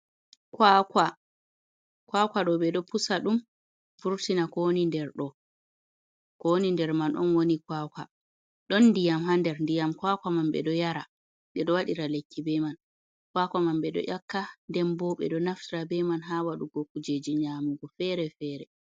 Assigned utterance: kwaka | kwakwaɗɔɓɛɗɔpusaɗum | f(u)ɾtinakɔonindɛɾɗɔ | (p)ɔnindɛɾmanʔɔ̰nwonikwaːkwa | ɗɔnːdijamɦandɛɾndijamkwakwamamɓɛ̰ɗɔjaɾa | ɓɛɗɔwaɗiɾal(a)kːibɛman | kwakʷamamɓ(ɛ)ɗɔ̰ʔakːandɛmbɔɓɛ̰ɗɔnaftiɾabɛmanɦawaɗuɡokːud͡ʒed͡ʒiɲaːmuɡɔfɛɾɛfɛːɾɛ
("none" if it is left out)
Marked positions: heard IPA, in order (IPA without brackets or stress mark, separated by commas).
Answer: u, k, e, ɛ